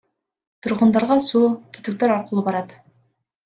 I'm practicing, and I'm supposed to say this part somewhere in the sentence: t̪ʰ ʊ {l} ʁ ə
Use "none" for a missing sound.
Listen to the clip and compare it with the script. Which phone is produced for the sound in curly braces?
ɾ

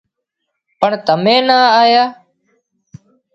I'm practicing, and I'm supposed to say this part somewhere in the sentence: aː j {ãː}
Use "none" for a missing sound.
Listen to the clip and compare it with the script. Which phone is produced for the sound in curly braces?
aː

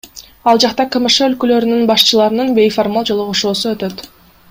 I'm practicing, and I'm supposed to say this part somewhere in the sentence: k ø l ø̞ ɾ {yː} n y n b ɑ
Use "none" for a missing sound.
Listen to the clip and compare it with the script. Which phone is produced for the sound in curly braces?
y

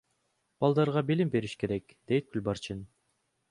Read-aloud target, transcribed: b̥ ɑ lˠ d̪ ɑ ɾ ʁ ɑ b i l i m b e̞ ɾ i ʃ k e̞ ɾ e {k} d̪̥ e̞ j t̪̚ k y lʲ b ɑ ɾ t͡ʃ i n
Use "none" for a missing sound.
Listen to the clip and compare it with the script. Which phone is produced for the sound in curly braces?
k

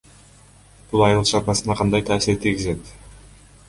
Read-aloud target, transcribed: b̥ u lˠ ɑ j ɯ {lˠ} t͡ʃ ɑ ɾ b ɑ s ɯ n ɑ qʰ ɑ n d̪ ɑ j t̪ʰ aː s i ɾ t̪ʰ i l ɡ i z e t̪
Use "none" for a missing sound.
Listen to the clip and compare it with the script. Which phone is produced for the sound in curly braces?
lˠ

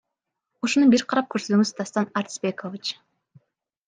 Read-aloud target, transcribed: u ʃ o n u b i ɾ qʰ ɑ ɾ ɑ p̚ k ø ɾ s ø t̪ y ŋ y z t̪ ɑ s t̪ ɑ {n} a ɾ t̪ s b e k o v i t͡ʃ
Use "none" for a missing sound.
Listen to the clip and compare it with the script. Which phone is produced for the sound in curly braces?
n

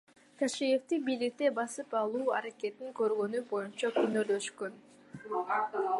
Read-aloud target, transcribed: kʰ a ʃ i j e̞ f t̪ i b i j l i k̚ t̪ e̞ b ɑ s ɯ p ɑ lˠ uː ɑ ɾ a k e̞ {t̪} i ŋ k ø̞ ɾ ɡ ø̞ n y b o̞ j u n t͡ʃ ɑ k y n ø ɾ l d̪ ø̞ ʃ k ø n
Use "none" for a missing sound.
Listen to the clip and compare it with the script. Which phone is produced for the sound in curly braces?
t̪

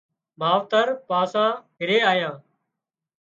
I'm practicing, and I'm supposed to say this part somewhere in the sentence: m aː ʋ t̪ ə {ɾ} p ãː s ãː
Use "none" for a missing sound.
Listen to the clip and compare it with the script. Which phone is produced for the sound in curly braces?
ɾ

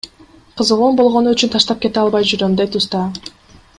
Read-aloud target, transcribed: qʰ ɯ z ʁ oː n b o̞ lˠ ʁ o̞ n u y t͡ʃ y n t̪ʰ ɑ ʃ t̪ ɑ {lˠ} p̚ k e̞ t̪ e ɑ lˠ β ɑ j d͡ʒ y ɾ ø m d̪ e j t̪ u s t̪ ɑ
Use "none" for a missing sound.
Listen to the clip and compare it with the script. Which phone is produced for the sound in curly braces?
none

